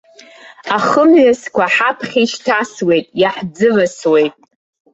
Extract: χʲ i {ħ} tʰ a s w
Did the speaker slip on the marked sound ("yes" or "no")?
yes